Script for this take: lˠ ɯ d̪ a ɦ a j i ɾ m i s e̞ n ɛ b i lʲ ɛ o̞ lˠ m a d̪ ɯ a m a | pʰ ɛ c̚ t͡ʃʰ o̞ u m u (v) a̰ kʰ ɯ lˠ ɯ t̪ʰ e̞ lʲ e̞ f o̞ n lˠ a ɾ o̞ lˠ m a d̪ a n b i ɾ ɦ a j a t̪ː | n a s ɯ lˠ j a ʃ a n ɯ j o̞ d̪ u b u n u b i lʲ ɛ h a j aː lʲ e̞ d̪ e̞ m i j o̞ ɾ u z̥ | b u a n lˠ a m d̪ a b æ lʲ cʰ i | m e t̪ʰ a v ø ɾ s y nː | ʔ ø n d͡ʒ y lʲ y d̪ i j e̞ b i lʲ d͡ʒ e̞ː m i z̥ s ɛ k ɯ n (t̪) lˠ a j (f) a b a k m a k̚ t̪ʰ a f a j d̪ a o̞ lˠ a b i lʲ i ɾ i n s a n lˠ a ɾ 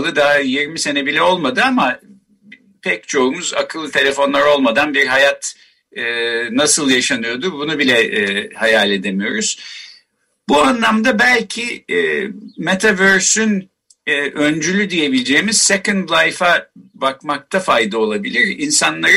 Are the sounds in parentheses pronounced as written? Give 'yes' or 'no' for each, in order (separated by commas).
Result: no, no, yes